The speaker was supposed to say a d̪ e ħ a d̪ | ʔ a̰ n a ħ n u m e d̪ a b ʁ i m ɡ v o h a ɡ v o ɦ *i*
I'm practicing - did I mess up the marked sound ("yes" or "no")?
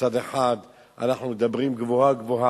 yes